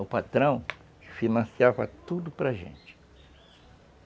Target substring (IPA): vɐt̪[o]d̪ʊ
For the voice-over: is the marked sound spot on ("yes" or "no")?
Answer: no